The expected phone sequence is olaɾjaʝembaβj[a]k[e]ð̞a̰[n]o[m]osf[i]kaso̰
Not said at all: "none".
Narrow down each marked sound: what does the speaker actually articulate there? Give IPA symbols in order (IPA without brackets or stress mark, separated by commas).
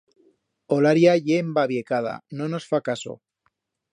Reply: e, a, n, n, a